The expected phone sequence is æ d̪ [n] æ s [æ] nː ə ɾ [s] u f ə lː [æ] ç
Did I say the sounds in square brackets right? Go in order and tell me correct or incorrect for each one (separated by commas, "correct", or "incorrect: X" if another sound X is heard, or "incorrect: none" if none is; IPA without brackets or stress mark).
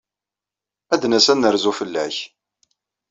correct, correct, incorrect: z, correct